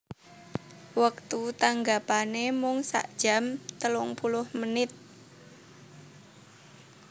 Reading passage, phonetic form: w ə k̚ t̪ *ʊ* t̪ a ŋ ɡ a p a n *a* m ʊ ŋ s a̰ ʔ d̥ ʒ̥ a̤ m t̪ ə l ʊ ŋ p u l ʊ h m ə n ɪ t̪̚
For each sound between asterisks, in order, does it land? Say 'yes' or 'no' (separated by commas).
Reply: no, no